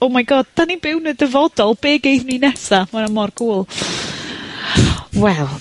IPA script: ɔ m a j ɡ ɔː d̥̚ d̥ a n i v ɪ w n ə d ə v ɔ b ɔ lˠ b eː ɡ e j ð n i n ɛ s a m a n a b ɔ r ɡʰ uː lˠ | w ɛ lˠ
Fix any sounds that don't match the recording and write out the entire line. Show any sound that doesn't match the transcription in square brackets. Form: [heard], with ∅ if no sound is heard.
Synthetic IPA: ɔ m a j ɡ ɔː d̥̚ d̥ a n i [b] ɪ w n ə d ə v ɔ [d] ɔ lˠ b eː ɡ e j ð n i n ɛ s a m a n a [m] ɔ r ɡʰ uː lˠ | w ɛ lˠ